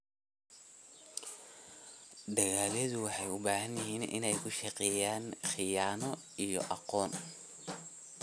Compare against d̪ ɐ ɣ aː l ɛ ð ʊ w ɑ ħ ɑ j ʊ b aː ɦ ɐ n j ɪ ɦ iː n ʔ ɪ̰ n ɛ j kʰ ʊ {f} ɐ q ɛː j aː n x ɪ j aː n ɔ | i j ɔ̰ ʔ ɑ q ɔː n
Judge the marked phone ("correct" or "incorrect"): incorrect